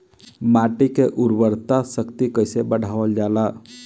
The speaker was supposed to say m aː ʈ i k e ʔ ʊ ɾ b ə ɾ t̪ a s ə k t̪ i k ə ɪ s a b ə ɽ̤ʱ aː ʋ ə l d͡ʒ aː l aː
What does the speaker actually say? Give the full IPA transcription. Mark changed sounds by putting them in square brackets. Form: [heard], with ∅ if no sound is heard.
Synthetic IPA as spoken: m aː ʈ i k e ʔ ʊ ɾ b ə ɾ t̪ a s ə k t̪ i k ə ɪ s [e] b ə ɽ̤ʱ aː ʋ ə l d͡ʒ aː l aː